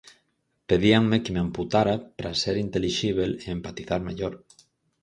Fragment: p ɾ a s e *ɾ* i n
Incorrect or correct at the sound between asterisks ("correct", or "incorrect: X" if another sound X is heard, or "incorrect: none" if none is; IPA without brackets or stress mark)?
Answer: correct